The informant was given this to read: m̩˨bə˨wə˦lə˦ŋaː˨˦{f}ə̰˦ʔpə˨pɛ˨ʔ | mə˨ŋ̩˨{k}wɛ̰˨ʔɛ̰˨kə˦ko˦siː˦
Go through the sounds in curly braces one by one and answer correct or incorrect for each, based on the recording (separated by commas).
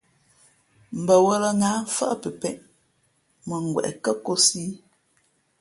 correct, incorrect